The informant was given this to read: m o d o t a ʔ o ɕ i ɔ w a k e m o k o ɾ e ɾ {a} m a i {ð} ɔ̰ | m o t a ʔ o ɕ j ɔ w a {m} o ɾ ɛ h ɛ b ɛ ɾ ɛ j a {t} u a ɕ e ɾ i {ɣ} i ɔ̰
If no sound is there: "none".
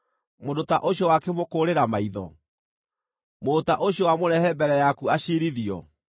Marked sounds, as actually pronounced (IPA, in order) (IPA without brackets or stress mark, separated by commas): a, ð, m, k, ð